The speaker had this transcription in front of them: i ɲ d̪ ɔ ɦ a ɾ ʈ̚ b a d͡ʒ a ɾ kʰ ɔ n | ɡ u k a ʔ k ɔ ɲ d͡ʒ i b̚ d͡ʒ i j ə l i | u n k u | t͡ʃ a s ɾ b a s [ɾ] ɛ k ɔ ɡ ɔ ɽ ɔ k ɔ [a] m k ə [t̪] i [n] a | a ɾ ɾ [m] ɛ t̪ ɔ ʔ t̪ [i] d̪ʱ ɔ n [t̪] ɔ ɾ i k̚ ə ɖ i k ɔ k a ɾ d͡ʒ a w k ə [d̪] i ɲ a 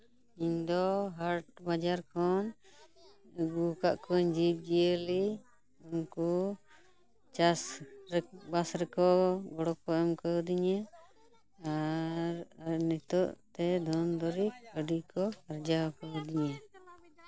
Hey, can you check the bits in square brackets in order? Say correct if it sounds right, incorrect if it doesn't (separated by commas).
correct, incorrect, incorrect, incorrect, incorrect, incorrect, incorrect, correct